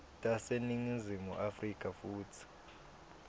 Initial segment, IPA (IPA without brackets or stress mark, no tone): tʼ